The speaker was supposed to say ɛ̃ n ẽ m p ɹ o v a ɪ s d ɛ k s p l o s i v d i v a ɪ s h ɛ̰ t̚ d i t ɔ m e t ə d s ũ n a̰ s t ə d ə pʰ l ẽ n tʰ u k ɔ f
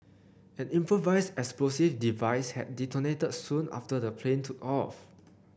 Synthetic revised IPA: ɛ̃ n ĩ m p ɹ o v a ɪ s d ɛ k s p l o s i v d i v a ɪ s h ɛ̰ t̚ d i t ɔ n e t ə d s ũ n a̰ f t ə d ə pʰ l ẽ n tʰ u k ɔ f

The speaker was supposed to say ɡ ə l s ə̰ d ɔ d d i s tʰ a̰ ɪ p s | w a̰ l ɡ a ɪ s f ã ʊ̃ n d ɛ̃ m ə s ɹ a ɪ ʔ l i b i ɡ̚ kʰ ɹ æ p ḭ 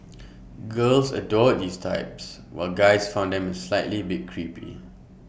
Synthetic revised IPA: ɡ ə l s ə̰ d ɔ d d i s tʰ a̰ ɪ p s | w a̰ l ɡ a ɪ s f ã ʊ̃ n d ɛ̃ m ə s l a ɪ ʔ l i b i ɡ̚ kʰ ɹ i p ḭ

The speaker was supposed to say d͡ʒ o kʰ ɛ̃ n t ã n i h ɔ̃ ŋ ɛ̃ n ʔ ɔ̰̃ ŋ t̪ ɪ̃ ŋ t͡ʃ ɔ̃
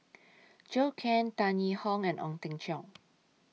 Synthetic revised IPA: d͡ʒ o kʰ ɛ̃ n t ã n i h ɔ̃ ŋ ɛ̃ n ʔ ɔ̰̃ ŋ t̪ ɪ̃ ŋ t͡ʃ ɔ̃

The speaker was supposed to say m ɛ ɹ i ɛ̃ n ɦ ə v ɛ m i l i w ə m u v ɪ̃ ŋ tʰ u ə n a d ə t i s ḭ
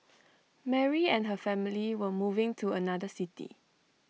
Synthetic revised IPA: m ɛ ɹ i ɛ̃ n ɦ ə f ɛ m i l i w ə m u v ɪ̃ ŋ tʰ u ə n a d ə s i t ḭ

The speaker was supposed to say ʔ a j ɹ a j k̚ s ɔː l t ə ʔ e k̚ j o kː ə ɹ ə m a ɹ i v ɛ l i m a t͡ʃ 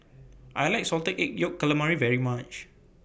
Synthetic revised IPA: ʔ a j l a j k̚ s ɔ l t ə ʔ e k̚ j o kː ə l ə m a ɹ i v ɛ ɹ i m a t͡ʃ

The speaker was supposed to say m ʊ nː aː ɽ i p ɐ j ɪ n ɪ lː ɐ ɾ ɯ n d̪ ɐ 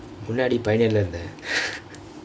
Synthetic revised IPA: m ʊ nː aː ɽ i p ɐ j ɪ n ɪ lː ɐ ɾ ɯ n d̪ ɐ

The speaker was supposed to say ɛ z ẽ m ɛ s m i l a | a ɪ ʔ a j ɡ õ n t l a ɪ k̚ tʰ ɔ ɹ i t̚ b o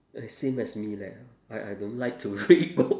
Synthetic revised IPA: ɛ s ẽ m ɛ s m i l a | a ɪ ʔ a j d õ n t l a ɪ k̚ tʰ u ɹ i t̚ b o

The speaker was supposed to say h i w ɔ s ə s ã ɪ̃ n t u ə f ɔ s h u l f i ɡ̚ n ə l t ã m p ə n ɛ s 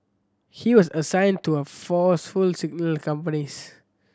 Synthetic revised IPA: h i w ɔ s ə s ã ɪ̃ n t u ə f ɔ s f u l s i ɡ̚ n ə l k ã m p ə n i s

